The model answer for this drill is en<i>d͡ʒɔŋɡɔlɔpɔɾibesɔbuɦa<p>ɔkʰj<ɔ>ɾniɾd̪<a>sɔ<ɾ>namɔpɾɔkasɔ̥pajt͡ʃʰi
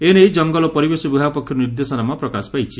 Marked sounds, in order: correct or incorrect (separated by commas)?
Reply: incorrect, correct, correct, incorrect, incorrect